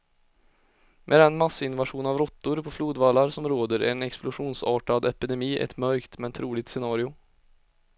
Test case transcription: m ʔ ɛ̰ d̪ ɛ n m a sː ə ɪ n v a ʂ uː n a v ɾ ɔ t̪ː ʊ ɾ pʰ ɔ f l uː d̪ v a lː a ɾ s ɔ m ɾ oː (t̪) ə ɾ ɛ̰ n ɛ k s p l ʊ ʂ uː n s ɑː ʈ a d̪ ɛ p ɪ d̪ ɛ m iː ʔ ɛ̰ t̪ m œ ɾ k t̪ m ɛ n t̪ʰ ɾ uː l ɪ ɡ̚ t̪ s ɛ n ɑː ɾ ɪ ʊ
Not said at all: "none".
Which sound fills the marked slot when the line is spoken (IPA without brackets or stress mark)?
d̪